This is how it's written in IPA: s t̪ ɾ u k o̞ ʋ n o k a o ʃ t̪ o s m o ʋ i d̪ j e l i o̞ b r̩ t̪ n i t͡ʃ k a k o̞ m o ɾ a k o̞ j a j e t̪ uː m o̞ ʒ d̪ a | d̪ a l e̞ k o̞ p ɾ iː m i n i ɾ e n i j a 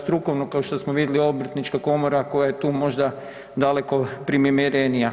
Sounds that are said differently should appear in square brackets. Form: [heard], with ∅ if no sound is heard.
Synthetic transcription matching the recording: s t̪ ɾ u k o̞ ʋ n o k a o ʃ t̪ o s m o ʋ i d̪ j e l i o̞ b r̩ t̪ n i t͡ʃ k a k o̞ m o ɾ a k o̞ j a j e t̪ uː m o̞ ʒ d̪ a | d̪ a l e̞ k o̞ p ɾ [i] m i [m] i ɾ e n i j a